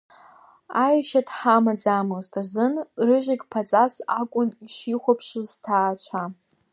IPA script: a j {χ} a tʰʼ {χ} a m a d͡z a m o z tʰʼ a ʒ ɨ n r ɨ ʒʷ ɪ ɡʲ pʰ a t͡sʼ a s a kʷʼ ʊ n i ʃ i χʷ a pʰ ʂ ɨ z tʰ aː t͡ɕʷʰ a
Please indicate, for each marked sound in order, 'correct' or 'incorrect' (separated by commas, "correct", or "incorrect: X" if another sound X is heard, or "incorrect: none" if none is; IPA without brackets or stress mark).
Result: incorrect: ʃ, incorrect: ħ